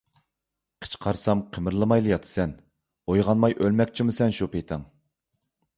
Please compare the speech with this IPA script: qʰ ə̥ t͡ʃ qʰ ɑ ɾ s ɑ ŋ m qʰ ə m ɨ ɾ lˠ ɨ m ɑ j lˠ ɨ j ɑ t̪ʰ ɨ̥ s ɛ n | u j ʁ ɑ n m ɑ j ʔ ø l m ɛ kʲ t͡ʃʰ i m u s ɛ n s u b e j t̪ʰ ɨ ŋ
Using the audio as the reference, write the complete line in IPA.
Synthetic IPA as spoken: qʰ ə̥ t͡ʃ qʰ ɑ ɾ s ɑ m qʰ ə m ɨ ɾ lˠ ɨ m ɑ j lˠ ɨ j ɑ t̪ʰ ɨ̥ s ɛ n | o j ʁ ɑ n m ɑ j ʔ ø l m ɛ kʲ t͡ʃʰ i m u s ɛ n ʃ u p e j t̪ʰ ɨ ŋ